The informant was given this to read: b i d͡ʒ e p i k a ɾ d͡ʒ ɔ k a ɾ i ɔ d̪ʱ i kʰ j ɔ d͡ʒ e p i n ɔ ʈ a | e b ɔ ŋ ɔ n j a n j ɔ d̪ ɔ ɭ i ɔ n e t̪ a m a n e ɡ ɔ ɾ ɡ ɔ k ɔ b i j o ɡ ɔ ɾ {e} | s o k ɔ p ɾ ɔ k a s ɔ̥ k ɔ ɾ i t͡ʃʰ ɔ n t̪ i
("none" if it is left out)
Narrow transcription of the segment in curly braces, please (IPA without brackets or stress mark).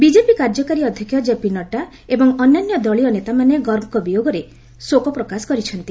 e